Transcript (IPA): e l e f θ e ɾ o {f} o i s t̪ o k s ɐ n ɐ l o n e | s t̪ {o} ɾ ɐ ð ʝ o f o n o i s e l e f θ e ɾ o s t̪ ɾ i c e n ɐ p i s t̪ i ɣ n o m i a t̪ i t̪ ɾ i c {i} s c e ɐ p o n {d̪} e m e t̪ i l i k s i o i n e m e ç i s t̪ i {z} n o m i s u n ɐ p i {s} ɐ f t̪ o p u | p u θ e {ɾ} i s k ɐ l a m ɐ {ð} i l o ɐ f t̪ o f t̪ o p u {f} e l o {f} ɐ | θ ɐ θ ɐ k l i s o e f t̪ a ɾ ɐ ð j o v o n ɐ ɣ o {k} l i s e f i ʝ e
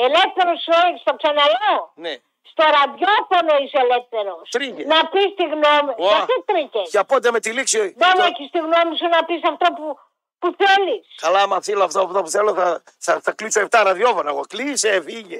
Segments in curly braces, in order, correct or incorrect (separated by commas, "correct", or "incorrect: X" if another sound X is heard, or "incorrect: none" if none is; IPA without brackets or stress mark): incorrect: s, correct, incorrect: e, correct, incorrect: ɣ, correct, incorrect: l, incorrect: θ, incorrect: θ, incorrect: θ, correct